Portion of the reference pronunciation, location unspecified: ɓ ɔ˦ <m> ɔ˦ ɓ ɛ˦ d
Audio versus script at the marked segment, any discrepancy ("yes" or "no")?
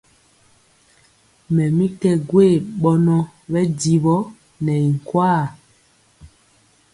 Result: yes